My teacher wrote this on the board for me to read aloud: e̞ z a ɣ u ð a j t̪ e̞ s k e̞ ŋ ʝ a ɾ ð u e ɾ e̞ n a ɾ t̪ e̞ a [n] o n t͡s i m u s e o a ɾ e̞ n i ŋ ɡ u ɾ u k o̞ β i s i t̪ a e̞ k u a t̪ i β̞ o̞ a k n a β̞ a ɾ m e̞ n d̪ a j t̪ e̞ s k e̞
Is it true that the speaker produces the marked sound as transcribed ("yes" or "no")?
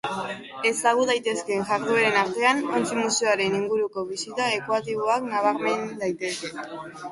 yes